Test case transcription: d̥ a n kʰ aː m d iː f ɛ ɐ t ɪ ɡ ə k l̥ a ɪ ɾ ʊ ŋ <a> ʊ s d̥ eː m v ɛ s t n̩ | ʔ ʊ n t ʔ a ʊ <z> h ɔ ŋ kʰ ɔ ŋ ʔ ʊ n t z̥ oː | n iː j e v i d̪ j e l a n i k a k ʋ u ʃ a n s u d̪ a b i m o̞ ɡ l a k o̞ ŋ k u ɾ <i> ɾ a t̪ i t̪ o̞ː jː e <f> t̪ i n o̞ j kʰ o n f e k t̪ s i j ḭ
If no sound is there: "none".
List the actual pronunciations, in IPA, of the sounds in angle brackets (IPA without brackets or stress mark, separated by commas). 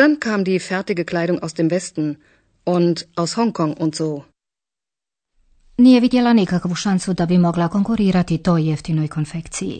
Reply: a, s, iː, f